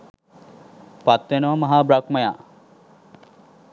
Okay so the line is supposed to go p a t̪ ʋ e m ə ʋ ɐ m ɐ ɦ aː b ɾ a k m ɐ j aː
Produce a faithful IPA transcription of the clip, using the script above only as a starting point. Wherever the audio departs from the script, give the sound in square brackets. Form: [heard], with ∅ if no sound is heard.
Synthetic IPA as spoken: p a t̪ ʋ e [n] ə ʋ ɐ m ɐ ɦ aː b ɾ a k m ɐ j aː

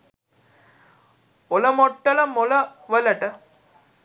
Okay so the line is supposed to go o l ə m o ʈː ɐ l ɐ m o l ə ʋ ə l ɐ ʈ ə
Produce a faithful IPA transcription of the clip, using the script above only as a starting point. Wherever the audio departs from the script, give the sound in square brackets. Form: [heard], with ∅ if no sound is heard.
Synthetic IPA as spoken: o l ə m o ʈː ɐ l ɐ m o l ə ʋ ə l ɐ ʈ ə

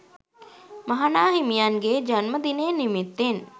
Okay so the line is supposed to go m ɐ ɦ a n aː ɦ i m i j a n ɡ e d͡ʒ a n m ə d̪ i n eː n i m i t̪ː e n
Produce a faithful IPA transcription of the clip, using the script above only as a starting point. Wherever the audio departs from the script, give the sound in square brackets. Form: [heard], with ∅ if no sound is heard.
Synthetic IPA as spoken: m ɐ ɦ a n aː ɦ i m i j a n ɡ e d͡ʒ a n m ə d̪ i n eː n i m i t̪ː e n

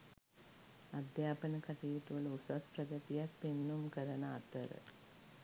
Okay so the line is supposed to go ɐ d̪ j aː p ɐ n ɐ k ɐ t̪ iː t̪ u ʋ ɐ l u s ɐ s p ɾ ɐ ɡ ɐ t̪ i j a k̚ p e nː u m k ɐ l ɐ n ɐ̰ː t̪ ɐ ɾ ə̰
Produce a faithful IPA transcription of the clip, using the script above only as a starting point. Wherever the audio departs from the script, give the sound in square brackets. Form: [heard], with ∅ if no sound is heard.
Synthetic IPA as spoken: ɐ d̪ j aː p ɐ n ɐ k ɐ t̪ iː t̪ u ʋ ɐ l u s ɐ s p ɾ ɐ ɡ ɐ t̪ i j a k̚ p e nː u m k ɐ [ɾ] ɐ n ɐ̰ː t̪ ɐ ɾ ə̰

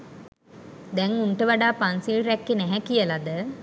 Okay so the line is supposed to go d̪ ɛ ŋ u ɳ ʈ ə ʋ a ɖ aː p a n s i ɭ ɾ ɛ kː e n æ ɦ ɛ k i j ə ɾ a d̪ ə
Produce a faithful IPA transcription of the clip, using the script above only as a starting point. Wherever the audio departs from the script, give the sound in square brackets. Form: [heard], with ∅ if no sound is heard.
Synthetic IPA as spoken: d̪ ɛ ŋ u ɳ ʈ ə ʋ a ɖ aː p a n s i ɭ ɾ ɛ kː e n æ ɦ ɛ k i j ə [l] a d̪ ə

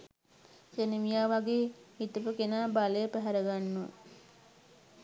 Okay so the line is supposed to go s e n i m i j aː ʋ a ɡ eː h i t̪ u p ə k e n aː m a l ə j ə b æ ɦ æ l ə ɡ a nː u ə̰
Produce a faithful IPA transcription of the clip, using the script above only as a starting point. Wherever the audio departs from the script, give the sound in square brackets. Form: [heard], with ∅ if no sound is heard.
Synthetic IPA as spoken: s e n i m i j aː ʋ a ɡ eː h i t̪ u p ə k e n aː [b] a l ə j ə [p] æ ɦ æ [ɾ] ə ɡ a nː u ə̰

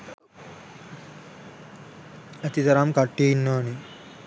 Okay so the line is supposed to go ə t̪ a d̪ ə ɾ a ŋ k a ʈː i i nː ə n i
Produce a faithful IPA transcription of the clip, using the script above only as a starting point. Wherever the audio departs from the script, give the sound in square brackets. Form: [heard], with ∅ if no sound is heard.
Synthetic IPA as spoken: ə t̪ [i] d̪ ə ɾ a [m] k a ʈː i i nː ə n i

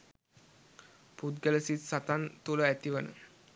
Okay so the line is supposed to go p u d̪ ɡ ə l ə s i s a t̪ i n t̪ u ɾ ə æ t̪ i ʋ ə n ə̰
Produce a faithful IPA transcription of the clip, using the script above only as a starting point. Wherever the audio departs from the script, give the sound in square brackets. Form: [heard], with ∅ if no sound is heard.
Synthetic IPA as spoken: p u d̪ ɡ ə l ə s i s a t̪ [a] n t̪ u [l] ə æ t̪ i ʋ ə n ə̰

